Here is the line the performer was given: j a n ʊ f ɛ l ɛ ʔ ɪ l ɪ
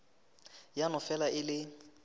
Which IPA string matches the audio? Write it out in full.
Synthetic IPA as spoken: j a n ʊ f ɛ l a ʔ ɪ l ɪ